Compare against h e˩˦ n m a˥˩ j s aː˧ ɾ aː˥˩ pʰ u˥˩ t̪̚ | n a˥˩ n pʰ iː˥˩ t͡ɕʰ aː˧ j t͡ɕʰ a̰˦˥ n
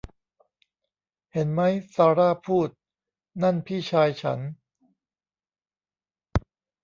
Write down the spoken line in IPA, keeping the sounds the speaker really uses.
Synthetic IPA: h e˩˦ n m a˦˥ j s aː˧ ɾ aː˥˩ pʰ uː˥˩ t̪̚ | n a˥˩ n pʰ iː˥˩ t͡ɕʰ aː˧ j t͡ɕʰ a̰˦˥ n